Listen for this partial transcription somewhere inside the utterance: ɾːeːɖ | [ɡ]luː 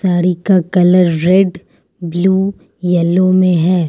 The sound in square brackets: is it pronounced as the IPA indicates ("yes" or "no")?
no